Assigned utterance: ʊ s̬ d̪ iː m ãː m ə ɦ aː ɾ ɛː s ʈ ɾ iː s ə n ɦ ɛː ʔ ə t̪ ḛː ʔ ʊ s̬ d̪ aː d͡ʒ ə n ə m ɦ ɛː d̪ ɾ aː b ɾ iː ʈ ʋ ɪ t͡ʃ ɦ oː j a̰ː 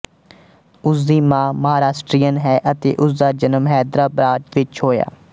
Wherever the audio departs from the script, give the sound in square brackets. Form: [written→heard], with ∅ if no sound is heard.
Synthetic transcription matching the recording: ʊ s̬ d̪ iː m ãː m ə ɦ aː ɾ [ɛː→aː] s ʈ ɾ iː [s→∅] ə n ɦ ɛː ʔ ə t̪ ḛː ʔ ʊ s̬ d̪ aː d͡ʒ ə n ə m ɦ ɛː d̪ ɾ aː b ɾ [iː→aː] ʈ ʋ ɪ t͡ʃ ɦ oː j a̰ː